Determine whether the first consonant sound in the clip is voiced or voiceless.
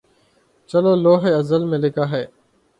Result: voiceless